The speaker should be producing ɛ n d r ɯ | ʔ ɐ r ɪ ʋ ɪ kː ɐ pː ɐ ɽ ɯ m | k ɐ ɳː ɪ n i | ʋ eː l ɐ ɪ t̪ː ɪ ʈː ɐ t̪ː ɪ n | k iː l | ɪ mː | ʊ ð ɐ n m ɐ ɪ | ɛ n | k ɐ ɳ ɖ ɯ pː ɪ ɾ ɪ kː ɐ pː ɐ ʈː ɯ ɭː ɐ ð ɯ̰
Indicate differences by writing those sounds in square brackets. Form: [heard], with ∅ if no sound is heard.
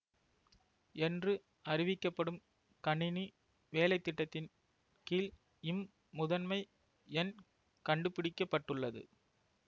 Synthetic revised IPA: ɛ n d r ɯ | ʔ ɐ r ɪ ʋ ɪ kː ɐ pː ɐ ɽ ɯ m | k ɐ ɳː ɪ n i | ʋ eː l ɐ ɪ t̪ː ɪ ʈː ɐ t̪ː ɪ n | k iː l | ɪ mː | ʊ ð ɐ n m ɐ ɪ | ɛ n | k ɐ ɳ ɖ ɯ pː ɪ [ɽ] ɪ kː ɐ pː ɐ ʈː ɯ ɭː ɐ ð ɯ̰